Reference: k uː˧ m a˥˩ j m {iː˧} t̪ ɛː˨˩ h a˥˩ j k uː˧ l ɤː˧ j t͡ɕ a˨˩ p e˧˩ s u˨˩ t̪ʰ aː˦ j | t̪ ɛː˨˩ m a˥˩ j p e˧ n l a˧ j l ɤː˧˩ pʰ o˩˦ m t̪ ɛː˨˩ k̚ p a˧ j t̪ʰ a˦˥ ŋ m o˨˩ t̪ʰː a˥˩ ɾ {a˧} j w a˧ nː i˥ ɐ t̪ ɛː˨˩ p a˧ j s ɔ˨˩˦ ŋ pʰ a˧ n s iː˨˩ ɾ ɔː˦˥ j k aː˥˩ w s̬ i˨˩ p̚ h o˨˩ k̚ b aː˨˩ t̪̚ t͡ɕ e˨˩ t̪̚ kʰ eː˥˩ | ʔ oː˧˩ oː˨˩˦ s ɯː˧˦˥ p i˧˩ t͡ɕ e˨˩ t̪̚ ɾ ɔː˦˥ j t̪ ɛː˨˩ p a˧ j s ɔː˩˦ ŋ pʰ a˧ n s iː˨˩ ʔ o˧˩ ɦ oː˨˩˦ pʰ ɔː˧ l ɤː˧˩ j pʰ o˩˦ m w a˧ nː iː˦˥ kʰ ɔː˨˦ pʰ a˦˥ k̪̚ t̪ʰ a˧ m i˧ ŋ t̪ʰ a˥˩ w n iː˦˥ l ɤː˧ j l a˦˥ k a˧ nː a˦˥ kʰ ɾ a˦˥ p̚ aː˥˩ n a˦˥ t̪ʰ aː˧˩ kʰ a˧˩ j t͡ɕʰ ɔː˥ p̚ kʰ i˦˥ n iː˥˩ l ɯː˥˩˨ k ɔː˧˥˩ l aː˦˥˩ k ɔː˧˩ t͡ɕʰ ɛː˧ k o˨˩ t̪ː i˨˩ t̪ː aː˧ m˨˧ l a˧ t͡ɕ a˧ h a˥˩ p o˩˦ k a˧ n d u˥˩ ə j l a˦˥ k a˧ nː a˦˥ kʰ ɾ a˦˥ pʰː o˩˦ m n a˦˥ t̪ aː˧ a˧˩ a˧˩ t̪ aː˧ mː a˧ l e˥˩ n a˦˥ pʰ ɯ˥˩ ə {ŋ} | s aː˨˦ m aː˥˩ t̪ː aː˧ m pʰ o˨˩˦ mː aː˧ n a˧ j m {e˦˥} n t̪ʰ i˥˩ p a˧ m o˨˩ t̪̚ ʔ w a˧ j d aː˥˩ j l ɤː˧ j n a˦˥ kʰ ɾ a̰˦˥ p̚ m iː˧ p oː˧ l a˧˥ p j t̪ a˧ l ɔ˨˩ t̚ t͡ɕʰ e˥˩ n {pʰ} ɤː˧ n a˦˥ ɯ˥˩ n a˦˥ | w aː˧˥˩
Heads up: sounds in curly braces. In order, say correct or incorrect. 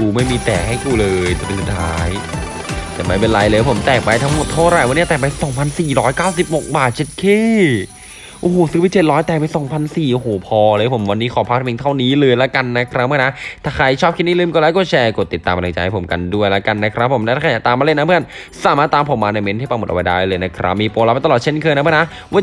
correct, incorrect, incorrect, correct, incorrect

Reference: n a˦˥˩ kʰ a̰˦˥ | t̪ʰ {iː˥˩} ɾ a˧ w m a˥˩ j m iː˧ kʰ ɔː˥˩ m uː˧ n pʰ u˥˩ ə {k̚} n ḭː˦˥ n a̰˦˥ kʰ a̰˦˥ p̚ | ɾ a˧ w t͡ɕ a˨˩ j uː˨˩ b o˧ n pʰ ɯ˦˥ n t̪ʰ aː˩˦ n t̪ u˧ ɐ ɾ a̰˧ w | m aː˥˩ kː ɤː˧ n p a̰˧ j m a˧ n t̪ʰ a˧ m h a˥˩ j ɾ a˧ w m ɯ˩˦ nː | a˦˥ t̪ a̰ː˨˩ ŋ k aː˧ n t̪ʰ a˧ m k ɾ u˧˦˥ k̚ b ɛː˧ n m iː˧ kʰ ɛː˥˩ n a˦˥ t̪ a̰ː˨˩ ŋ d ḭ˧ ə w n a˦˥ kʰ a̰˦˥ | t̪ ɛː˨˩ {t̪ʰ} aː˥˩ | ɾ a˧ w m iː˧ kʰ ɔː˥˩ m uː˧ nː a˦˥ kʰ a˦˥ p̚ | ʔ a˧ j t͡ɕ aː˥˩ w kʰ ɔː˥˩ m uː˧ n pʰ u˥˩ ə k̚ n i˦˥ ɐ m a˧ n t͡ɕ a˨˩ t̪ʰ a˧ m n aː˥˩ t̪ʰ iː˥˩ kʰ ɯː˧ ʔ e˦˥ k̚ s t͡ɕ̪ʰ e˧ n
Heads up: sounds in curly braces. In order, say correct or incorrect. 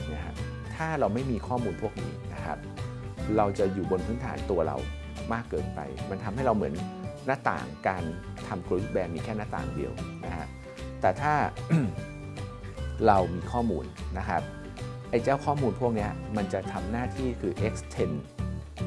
incorrect, correct, correct

